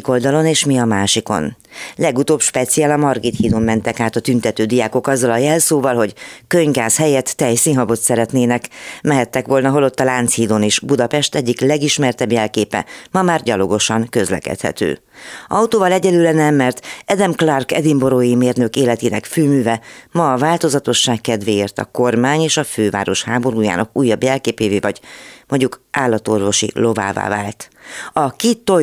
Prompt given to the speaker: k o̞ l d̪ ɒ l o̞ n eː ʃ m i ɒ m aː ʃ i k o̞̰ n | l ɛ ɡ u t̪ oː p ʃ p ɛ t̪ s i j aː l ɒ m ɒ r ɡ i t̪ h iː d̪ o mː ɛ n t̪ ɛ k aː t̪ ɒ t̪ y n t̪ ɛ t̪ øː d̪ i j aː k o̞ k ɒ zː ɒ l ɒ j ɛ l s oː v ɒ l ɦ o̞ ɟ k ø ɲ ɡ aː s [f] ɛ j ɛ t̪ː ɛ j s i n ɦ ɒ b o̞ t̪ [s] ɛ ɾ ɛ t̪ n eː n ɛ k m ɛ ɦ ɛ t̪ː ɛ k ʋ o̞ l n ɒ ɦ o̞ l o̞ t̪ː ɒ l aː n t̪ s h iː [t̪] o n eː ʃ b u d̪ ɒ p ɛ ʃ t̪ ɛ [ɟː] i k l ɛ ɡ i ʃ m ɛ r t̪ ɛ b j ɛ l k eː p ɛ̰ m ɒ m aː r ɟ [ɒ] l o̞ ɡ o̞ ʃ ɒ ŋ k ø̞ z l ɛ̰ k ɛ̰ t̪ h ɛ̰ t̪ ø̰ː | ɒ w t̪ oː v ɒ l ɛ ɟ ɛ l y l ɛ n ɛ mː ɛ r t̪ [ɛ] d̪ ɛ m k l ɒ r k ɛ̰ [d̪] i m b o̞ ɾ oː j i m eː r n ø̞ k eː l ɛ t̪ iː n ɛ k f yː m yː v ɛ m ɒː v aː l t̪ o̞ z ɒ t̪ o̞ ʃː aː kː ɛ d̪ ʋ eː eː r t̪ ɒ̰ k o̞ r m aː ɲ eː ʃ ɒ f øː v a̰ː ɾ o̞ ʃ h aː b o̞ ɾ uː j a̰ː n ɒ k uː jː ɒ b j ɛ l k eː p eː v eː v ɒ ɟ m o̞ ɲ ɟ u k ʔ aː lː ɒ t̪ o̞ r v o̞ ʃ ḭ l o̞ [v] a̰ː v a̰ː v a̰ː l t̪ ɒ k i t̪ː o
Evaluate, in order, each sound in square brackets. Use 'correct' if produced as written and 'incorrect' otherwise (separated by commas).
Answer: incorrect, correct, incorrect, correct, correct, correct, correct, correct